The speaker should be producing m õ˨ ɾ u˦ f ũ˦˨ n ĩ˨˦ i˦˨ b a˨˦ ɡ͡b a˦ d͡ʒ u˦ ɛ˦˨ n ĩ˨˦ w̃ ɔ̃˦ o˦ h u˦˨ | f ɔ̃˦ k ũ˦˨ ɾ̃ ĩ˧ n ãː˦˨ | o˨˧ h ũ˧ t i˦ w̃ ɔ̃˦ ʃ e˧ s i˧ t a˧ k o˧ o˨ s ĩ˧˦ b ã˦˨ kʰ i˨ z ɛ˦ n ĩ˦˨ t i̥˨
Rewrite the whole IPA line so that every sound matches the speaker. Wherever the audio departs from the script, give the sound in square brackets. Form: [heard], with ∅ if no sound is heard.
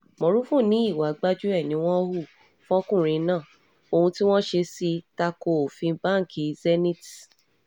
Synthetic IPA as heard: m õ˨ ɾ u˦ f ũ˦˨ n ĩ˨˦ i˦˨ [w] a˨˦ ɡ͡b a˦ d͡ʒ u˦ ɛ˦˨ n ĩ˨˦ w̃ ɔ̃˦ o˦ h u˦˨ | f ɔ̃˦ k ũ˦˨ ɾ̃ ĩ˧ n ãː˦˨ | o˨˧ h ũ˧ t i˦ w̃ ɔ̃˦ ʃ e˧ s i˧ t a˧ k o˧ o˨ [f] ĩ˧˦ b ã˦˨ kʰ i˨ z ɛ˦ n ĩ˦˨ t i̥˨